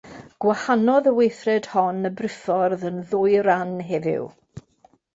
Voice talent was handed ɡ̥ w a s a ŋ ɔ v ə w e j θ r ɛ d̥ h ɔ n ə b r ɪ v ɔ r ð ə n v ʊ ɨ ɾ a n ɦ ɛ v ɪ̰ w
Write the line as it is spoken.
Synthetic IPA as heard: ɡ̥ w a h a n ɔ ð ə w e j θ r ɛ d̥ h ɔ n ə b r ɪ f ɔ r ð ə n ð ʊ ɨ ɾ a n ɦ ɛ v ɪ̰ w